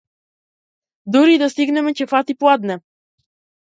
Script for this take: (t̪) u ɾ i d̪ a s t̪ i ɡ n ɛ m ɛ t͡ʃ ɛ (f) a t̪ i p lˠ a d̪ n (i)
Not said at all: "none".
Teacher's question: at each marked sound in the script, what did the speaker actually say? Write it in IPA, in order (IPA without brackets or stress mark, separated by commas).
d̪, f, ɛ